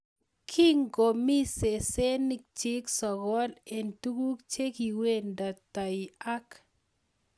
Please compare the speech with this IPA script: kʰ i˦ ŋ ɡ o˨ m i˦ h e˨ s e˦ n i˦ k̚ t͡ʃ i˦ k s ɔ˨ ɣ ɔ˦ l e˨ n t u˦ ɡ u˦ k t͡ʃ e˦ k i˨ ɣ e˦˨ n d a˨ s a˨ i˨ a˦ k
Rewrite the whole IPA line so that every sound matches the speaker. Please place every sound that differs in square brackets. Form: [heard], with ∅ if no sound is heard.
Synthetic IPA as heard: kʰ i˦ ŋ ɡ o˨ m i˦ [s] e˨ s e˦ n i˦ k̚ t͡ʃ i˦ k s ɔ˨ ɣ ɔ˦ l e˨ n t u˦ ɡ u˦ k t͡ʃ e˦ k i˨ [w] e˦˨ n d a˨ [t] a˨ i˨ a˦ k

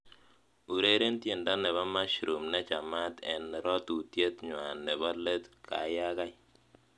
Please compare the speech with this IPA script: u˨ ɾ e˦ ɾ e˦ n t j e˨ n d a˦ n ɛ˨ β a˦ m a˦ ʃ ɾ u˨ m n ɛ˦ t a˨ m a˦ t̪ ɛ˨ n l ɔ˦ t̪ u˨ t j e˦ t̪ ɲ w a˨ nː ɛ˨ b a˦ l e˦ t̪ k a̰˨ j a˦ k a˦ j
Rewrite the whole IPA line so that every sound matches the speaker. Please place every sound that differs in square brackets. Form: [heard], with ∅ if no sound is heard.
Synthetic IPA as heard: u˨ ɾ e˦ ɾ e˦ n t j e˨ n d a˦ n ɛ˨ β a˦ m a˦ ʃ ɾ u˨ m n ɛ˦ [t͡ʃ] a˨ m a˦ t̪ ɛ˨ n [ɾ] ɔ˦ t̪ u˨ t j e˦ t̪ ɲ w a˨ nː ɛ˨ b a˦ l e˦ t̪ k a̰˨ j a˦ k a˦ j

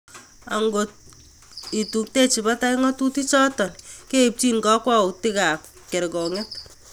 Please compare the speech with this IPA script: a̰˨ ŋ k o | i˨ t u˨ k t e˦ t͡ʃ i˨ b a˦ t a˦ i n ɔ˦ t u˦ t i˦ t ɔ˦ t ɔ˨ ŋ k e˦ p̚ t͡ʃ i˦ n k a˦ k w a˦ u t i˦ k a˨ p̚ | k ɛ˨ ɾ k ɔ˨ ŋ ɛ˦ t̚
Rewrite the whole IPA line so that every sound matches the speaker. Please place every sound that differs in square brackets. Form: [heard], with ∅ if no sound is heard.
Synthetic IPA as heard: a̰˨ ŋ [ɡ] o | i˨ t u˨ k t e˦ t͡ʃ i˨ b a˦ t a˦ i [ŋ] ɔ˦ t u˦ t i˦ [t͡ʃ] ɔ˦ t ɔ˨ [n] k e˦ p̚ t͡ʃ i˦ n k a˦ k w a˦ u t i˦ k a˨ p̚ | k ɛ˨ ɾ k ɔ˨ ŋ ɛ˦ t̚

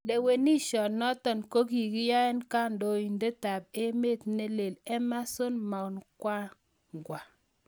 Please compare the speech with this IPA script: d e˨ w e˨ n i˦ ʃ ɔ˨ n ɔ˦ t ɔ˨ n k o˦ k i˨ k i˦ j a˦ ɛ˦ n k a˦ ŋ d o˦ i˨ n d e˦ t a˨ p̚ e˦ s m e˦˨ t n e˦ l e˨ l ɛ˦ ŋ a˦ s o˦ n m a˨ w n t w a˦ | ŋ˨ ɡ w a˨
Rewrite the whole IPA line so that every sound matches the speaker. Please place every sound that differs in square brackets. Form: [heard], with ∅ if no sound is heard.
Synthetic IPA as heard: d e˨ w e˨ n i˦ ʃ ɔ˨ n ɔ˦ t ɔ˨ n k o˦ k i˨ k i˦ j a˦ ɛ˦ n k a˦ [n] d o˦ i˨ n d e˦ t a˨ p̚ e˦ [∅] m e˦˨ t n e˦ l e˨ l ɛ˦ [m] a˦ s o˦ n m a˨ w n [k] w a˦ | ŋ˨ ɡ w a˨

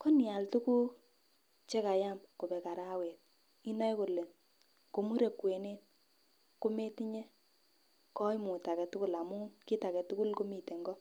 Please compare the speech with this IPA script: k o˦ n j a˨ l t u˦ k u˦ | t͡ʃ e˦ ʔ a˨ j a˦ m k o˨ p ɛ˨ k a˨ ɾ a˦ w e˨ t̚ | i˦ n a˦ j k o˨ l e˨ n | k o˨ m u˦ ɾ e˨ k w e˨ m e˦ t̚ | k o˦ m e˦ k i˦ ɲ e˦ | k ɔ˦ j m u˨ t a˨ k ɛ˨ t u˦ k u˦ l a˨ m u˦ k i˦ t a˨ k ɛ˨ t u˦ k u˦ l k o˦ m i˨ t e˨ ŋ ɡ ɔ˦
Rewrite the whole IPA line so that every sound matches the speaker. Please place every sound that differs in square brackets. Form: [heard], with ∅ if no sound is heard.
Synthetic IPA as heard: k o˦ n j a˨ l t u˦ k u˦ | t͡ʃ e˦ [k] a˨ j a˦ m k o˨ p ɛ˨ k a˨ ɾ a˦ w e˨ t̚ | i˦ n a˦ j k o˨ l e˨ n | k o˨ m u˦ ɾ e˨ k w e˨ [n] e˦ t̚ | k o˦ m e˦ [t] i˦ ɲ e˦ | k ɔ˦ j m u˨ t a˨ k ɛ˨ t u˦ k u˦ l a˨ m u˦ k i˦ t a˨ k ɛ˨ t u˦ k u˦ l k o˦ m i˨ t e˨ ŋ ɡ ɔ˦

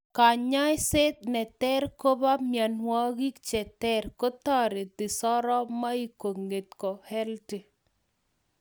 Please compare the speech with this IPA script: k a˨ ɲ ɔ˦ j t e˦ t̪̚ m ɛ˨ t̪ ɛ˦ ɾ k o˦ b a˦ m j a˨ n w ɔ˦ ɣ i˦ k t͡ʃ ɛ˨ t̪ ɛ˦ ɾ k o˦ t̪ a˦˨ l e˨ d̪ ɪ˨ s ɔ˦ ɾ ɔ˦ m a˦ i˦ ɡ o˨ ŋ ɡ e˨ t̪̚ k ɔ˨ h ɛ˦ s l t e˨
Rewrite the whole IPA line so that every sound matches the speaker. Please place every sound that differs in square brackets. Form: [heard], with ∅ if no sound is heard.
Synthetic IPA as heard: k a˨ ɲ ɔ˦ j [s] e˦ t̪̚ [n] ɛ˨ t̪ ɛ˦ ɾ k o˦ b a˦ m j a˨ n w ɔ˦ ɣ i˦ k t͡ʃ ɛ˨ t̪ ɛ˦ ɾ k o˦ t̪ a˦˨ [ɾ] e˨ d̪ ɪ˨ s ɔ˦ ɾ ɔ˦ m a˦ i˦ [k] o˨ ŋ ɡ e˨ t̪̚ k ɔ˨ h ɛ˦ [∅] l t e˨

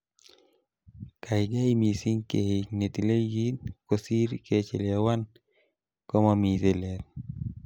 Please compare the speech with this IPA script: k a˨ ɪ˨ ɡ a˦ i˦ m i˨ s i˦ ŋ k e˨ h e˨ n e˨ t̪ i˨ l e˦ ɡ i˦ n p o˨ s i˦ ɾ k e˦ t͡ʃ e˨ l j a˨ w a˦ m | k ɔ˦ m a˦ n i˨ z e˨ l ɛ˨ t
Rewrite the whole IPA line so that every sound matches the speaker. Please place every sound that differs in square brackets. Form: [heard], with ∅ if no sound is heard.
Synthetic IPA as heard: k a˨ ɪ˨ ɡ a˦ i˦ m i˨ s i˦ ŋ k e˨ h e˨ n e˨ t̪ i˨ l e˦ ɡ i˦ n [k] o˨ s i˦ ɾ k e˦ t͡ʃ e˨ l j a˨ w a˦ [n] | k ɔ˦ m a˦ [m] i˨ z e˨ l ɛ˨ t

